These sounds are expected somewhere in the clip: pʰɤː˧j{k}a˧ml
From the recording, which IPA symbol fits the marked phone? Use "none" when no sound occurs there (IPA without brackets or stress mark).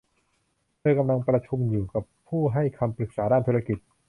k